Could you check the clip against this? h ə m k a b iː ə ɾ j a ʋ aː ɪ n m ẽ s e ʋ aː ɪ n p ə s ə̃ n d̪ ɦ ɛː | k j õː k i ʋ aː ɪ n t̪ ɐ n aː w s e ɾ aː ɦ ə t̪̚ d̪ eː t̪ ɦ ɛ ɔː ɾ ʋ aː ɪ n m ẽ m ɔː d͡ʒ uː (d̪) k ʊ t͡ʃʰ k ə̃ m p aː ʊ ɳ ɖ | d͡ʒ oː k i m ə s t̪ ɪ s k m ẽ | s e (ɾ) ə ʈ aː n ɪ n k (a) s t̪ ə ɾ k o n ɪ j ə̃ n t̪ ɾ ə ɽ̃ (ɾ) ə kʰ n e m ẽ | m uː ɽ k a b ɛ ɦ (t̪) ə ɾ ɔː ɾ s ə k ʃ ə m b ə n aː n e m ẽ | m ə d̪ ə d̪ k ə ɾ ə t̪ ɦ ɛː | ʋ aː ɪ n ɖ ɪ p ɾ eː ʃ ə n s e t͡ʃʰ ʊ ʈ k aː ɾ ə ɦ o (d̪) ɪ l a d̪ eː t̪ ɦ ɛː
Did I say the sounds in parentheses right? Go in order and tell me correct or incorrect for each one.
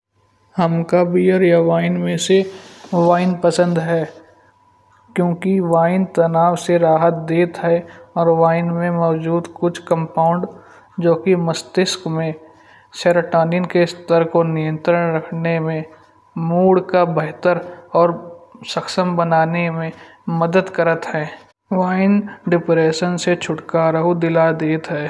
correct, correct, incorrect: e, correct, correct, correct

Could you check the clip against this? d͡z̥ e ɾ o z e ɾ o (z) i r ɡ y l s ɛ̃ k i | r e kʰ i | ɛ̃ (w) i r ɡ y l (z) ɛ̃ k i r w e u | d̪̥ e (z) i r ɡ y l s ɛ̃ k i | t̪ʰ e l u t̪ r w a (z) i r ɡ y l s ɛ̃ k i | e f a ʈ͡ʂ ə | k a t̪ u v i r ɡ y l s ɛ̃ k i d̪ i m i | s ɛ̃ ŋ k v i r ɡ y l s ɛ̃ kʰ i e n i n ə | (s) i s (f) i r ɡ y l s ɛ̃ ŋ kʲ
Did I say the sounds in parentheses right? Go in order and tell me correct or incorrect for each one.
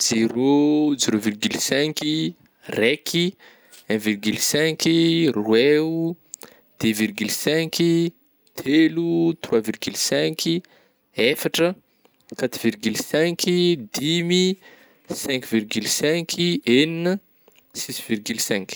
incorrect: v, incorrect: v, incorrect: s, incorrect: v, incorrect: v, correct, incorrect: v

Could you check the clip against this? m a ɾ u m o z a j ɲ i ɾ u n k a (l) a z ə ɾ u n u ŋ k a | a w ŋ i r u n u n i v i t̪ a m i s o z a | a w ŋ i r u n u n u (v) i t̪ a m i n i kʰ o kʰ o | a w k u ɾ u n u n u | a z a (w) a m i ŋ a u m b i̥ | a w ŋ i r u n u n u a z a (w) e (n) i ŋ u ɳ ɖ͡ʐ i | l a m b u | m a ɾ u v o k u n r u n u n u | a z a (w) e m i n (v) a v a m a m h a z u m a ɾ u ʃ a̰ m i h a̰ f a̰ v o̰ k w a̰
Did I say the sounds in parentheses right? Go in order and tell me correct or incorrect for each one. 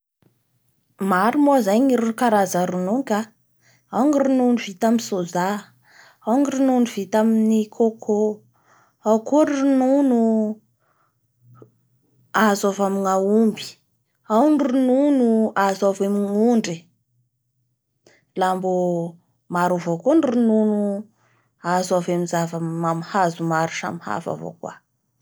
incorrect: ɾ, correct, incorrect: v, incorrect: v, incorrect: m, incorrect: v, incorrect: z

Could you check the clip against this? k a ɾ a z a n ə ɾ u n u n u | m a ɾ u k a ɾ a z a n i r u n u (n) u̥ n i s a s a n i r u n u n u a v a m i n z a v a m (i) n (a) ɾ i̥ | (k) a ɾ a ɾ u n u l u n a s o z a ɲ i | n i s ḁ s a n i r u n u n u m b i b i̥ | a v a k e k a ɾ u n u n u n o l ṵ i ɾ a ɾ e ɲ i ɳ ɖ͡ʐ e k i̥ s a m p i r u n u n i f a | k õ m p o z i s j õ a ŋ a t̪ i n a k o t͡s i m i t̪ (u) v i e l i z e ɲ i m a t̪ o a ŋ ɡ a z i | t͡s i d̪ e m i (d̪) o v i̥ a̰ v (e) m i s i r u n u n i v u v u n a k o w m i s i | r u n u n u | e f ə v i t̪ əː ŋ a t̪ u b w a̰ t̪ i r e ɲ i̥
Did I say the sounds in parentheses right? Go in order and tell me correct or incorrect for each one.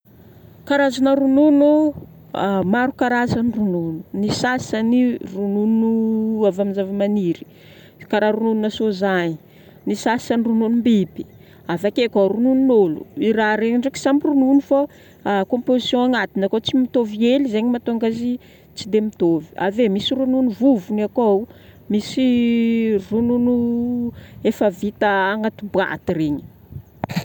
correct, incorrect: a, incorrect: i, correct, incorrect: o, incorrect: t̪, correct

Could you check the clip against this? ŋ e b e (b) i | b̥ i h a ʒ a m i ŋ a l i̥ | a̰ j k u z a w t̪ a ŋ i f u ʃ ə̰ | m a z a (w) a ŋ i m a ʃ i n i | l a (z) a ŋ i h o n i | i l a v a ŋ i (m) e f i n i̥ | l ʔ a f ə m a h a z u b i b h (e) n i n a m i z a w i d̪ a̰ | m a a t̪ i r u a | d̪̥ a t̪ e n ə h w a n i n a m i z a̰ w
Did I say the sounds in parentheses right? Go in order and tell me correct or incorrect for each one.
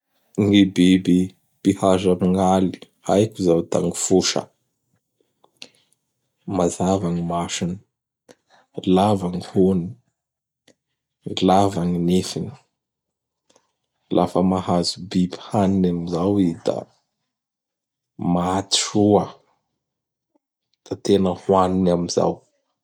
correct, incorrect: v, incorrect: v, incorrect: n, incorrect: a

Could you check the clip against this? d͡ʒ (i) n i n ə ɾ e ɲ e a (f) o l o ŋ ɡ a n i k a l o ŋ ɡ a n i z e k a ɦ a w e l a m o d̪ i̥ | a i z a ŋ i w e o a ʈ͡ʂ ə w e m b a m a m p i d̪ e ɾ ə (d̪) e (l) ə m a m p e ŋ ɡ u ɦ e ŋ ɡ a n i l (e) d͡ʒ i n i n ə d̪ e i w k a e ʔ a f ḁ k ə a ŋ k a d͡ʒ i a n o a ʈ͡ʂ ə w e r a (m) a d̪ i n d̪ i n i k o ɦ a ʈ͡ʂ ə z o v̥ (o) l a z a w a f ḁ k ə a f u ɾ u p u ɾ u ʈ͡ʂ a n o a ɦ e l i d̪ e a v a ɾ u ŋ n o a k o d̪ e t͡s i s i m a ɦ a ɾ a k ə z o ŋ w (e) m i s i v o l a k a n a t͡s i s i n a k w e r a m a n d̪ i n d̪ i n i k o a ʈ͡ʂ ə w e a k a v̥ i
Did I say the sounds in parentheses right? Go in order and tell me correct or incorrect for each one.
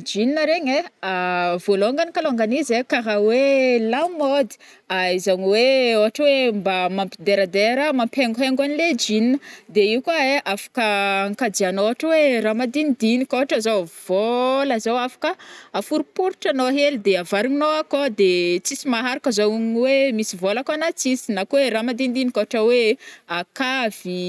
correct, incorrect: v, correct, incorrect: ɾ, correct, correct, correct, correct

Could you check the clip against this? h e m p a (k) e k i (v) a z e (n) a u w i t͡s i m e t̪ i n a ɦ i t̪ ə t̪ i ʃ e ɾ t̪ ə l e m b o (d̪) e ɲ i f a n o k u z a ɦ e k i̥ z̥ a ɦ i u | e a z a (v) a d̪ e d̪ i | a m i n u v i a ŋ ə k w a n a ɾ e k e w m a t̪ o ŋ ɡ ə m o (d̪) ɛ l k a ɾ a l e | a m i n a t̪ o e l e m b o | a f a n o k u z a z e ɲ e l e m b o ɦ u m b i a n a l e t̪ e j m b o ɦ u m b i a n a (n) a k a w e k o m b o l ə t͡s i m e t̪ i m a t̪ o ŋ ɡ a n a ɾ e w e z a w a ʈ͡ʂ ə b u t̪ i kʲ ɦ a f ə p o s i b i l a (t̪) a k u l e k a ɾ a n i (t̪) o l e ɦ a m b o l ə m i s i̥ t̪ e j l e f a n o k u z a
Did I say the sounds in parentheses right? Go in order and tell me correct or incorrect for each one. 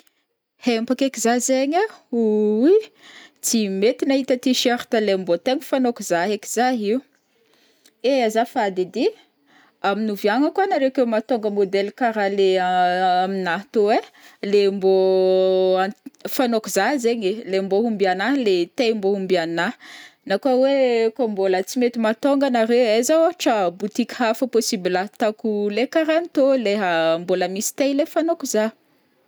correct, incorrect: z, incorrect: ɲ, incorrect: t̪, incorrect: f, correct, correct, correct, correct

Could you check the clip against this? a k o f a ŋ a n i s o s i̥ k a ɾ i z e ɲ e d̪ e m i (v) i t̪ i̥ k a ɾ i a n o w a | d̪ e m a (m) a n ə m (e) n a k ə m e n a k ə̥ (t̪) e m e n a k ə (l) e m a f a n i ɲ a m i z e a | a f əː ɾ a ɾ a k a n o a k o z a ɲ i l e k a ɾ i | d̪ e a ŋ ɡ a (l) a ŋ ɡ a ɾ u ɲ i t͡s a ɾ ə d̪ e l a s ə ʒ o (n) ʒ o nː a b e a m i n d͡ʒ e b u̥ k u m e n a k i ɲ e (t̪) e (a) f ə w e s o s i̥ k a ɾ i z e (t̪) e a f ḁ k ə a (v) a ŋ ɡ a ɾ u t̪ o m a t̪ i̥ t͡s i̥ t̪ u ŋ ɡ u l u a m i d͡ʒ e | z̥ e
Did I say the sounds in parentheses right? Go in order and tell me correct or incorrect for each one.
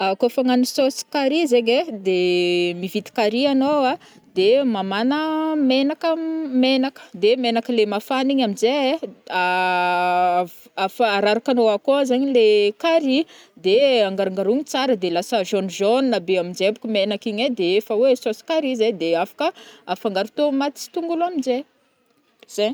correct, correct, correct, incorrect: d̪, correct, incorrect: ɾ, correct, incorrect: d̪, incorrect: e, incorrect: d̪, incorrect: f

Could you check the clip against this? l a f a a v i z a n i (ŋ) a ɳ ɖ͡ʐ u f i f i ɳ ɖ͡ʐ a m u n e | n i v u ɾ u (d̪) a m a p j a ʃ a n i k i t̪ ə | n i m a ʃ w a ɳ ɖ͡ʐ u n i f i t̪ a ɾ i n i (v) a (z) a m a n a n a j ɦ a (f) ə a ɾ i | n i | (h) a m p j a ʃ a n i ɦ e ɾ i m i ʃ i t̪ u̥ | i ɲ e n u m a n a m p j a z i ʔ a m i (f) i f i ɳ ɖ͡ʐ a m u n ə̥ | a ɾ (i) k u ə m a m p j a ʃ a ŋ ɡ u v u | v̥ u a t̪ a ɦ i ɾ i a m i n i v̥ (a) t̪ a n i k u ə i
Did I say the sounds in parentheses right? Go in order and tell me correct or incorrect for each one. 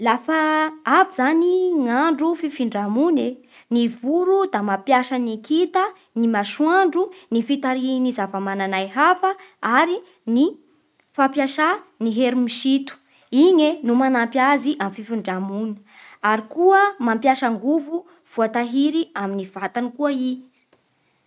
correct, correct, incorrect: z, incorrect: v, correct, incorrect: f, correct, correct, correct

